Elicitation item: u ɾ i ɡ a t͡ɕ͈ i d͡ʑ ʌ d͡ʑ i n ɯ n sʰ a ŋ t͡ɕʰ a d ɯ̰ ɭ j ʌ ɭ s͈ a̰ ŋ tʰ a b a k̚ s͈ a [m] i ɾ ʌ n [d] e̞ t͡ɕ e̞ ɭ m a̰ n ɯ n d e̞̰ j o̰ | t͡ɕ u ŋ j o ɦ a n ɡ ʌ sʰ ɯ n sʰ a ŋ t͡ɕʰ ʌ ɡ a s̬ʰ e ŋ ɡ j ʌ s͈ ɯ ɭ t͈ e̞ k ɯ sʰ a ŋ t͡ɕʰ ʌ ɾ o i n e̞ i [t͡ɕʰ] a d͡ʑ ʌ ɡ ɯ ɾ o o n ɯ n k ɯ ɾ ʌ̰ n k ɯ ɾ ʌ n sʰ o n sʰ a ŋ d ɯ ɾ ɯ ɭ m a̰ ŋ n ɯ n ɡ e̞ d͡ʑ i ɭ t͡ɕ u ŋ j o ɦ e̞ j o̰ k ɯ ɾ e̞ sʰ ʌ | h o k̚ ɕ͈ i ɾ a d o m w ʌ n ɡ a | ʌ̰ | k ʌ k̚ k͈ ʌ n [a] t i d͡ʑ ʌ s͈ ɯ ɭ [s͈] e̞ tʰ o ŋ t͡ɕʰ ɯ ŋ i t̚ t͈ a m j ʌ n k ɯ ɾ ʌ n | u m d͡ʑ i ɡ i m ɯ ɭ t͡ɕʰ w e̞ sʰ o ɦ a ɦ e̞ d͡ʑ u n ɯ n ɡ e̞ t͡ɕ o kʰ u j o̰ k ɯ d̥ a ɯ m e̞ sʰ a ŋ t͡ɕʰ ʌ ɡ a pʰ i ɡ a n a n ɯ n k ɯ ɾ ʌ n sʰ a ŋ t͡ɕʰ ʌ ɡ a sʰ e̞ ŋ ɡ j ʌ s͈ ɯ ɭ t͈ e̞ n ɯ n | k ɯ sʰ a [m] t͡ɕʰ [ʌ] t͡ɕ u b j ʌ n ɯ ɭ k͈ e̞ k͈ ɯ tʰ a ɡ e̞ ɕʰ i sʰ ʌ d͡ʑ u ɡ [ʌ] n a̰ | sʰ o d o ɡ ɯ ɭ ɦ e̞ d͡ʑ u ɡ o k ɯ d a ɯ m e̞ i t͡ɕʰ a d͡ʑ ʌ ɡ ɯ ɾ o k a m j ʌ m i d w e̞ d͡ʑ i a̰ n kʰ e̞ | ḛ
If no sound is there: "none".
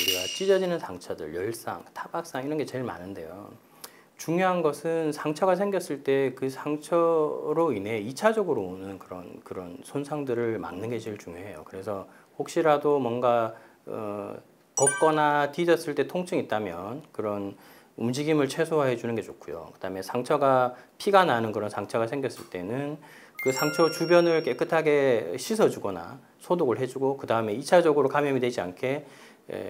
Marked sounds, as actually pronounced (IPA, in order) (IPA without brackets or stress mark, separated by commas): ŋ, ɡ, t͡ɕʰ, a, t͈, ŋ, ʌ, ʌ